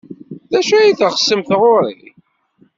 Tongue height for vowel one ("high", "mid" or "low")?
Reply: low